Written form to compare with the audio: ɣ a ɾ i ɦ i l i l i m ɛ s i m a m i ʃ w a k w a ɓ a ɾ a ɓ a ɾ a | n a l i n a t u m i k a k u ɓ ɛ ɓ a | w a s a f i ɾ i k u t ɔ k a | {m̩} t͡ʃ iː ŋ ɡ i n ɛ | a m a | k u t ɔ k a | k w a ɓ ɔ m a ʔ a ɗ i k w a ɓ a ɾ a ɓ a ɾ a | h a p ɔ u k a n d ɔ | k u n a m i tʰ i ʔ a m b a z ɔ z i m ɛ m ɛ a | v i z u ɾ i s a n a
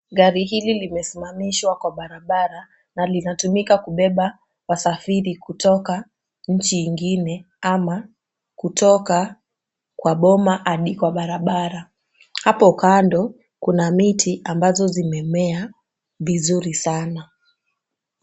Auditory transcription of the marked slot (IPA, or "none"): ɲ̩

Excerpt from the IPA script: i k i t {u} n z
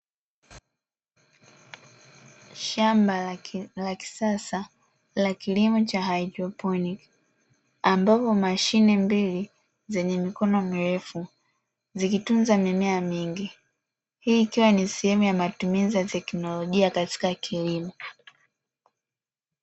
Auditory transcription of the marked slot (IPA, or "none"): u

